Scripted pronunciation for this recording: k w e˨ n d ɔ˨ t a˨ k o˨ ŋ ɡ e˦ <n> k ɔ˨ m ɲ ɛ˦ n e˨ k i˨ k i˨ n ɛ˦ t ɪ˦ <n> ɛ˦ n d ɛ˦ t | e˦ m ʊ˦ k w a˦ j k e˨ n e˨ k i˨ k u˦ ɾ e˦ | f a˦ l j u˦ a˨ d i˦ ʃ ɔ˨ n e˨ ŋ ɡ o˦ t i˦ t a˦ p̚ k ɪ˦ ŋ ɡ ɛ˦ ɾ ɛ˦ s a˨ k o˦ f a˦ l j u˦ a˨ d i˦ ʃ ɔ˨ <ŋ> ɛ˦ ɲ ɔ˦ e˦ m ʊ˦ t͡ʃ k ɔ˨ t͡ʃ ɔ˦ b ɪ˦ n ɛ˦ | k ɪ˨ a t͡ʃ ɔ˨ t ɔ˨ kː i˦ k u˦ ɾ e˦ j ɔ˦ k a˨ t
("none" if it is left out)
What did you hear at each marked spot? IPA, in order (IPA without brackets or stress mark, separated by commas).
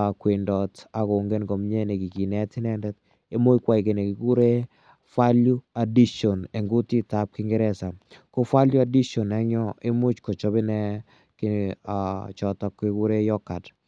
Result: n, n, n